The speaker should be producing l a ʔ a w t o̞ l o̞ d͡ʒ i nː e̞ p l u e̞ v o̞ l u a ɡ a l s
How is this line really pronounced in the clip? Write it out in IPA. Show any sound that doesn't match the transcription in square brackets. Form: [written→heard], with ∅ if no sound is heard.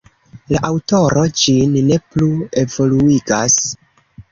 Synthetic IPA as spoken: l a ʔ a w t o̞ [l→ɾ] o̞ d͡ʒ i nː e̞ p l u e̞ v o̞ l u [a→i] ɡ a [l→∅] s